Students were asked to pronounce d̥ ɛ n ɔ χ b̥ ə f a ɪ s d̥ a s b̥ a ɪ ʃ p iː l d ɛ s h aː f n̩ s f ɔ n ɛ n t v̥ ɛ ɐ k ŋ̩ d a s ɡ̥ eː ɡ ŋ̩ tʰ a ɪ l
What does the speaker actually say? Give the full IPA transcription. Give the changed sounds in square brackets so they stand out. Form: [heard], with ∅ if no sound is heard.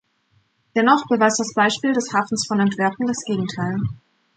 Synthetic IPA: d̥ ɛ n ɔ χ b̥ ə [v] a ɪ s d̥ a s b̥ a ɪ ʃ p iː l d ɛ s h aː f n̩ s f ɔ n ɛ n t v̥ ɛ ɐ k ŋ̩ d a s ɡ̥ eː ɡ ŋ̩ tʰ a ɪ l